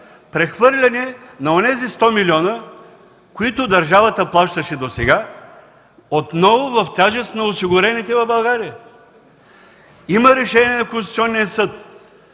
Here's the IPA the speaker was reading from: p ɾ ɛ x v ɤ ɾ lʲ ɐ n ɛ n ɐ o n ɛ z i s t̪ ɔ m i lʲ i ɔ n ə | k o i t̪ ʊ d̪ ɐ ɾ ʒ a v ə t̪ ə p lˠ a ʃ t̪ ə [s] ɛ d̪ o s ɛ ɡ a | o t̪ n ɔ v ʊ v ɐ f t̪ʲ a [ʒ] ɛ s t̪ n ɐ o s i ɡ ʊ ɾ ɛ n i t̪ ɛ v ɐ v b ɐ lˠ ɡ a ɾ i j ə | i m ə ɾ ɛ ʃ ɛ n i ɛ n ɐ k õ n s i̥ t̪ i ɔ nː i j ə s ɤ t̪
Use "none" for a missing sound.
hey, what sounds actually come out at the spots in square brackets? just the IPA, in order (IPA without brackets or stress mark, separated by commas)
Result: ʃ, ʒ